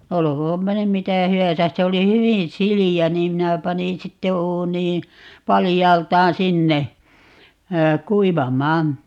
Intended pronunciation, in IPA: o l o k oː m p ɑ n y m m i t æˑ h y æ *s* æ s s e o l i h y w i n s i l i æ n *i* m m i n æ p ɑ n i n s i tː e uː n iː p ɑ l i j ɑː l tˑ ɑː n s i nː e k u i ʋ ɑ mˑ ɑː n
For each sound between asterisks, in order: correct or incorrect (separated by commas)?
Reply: correct, incorrect